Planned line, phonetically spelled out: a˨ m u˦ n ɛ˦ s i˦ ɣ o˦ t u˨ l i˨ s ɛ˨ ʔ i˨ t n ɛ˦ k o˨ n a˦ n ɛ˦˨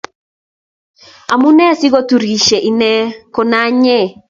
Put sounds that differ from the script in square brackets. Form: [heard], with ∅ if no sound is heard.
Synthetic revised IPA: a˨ m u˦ n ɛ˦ s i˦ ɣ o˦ t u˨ [ɾ] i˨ [ʃ] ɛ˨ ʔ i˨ [∅] n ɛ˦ k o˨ n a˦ [ɲ] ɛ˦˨